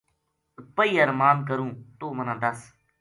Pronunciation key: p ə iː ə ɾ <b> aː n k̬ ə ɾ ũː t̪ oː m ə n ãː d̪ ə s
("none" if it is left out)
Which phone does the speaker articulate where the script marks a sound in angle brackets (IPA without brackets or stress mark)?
m